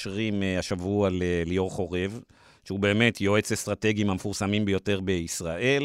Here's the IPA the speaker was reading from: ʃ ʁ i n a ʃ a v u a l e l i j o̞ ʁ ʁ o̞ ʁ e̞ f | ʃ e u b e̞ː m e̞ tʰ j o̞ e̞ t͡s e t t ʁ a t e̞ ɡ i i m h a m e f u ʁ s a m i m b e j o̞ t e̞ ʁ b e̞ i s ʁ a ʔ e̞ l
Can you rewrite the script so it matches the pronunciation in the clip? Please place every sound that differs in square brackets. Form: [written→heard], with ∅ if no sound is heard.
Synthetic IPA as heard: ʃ ʁ i [n→m] a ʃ a v u a l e l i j o̞ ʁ [ʁ→χ] o̞ ʁ e̞ [f→v] | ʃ e u b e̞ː m e̞ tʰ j o̞ e̞ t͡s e [t→s] t ʁ a t e̞ ɡ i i m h a m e f u ʁ s a m i m b e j o̞ t e̞ ʁ b e̞ i s ʁ a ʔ e̞ l